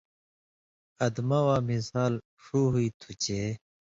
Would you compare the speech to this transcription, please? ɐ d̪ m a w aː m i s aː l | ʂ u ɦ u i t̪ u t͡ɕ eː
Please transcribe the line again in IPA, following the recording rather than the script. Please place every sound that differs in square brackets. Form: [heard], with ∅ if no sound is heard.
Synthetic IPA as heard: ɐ d̪ m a w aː m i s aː l | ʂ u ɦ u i [t̪ʰ] u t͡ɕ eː